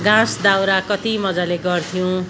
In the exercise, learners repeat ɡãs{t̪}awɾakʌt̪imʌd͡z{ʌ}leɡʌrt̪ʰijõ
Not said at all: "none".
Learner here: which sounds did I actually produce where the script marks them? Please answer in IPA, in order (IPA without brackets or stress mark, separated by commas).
d̪, a